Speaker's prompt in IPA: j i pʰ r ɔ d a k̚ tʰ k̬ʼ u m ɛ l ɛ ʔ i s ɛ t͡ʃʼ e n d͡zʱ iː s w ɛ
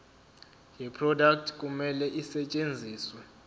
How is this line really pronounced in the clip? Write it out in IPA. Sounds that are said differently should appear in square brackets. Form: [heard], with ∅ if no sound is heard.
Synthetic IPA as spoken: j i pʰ r ɔ d a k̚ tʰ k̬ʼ u m ɛ l ɛ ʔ i s ɛ t͡ʃʼ e n d͡zʱ iː s w ɛ